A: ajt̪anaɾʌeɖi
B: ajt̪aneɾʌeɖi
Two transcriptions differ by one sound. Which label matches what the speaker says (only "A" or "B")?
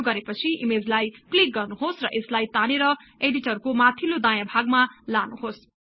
B